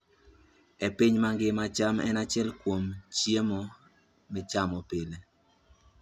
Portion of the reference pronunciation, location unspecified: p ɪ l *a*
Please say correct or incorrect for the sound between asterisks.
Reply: incorrect: e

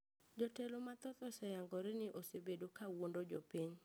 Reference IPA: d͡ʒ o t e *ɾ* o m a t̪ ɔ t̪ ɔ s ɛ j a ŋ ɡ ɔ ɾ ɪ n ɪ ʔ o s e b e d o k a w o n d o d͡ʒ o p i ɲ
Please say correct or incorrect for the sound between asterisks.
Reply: incorrect: l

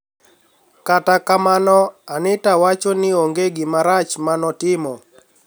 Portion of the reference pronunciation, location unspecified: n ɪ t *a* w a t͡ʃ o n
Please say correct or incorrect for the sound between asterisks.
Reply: correct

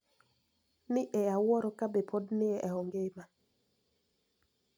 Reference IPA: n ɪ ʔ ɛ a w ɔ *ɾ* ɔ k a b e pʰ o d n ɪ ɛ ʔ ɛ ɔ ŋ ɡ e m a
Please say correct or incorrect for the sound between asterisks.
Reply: correct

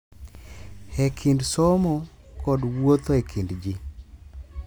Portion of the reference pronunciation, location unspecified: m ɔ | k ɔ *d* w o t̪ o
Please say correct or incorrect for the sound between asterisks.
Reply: correct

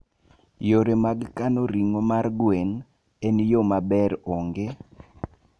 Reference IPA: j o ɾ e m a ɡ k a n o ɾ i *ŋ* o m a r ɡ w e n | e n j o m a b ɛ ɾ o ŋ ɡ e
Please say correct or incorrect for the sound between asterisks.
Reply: correct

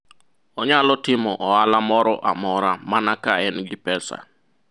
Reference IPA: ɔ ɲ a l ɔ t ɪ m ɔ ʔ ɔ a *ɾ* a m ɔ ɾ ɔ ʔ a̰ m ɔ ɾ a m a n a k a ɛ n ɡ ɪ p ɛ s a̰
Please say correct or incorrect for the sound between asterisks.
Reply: incorrect: l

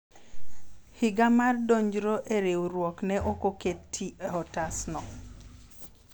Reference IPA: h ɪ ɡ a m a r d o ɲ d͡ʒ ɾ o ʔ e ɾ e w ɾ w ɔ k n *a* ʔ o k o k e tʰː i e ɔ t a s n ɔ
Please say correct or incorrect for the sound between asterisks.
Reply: incorrect: ɛ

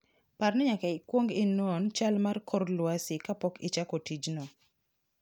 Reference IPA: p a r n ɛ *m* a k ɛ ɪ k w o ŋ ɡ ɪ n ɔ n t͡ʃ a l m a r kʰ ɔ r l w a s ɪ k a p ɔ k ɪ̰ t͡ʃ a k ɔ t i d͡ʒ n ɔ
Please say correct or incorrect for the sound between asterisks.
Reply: incorrect: ɲ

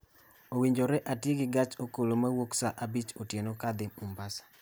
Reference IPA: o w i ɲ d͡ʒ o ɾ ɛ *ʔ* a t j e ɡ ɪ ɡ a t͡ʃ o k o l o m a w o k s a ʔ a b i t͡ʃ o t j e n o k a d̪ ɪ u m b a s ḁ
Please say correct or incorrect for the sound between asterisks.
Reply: correct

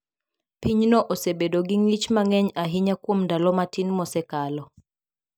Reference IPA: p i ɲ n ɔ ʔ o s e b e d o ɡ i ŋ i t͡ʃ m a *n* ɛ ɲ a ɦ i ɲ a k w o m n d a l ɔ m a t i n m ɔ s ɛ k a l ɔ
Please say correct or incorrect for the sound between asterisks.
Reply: incorrect: ŋ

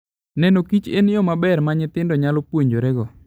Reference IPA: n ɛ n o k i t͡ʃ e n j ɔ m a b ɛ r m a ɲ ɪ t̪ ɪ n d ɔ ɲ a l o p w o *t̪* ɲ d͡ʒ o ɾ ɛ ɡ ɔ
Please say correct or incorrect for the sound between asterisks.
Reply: incorrect: none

